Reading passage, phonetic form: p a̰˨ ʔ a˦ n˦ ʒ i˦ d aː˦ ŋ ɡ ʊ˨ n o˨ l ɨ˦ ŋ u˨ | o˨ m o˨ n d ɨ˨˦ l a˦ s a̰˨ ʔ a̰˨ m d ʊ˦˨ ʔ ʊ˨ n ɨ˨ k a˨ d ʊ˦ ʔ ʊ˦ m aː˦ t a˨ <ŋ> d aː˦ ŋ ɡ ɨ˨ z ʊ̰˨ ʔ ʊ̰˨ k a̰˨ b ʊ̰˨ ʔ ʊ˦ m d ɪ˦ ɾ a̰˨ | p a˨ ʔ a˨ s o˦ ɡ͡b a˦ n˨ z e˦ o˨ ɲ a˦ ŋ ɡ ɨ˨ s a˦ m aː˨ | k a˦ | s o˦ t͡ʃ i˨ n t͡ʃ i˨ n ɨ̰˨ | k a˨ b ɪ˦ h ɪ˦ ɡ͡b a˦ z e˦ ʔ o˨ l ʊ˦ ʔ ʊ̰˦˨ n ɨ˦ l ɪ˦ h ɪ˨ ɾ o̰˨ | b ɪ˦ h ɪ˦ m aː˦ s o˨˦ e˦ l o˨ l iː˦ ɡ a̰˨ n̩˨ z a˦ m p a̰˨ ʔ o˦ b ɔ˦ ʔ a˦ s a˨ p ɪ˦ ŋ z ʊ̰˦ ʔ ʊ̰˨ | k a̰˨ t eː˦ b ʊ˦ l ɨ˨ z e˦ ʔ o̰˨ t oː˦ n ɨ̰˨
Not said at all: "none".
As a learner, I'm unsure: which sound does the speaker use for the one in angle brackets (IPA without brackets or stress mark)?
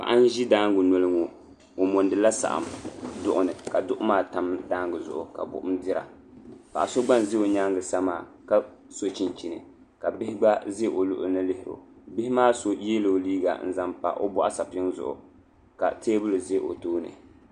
m